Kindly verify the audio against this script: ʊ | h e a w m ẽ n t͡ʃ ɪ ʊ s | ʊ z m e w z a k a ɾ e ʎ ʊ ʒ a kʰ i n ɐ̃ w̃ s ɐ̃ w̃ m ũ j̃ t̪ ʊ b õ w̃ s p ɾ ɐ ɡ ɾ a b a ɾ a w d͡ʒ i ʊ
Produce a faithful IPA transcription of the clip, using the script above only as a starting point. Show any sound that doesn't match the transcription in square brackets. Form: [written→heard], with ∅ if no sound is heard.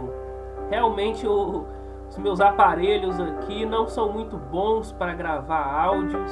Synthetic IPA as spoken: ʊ | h e a w m ẽ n t͡ʃ ɪ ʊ [s→∅] | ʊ z m e w z a [k→p] a ɾ e ʎ ʊ [ʒ→z] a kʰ i n ɐ̃ w̃ s ɐ̃ w̃ m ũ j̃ t̪ ʊ b õ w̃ s p ɾ ɐ ɡ ɾ a [b→v] a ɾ a w d͡ʒ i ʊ